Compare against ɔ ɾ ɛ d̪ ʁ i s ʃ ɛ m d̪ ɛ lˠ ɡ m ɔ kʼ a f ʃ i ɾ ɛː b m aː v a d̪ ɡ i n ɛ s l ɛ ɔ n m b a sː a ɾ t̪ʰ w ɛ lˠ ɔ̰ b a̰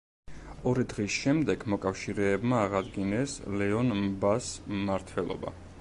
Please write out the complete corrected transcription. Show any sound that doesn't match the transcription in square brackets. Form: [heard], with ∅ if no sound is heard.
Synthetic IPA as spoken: ɔ ɾ [i] d̪ ʁ i s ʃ ɛ m d̪ ɛ [∅] ɡ m ɔ kʼ a f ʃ i ɾ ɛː b m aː [ʁ] a d̪ ɡ i n ɛ s l ɛ ɔ n m b a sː a ɾ t̪ʰ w ɛ lˠ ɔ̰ b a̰